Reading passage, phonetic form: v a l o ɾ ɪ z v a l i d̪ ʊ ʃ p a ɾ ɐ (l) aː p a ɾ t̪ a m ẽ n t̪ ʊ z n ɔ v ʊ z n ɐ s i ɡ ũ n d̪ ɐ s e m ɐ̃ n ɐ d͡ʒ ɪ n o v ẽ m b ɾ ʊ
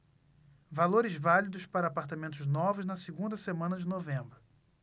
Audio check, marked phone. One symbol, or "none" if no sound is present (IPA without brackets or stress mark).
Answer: none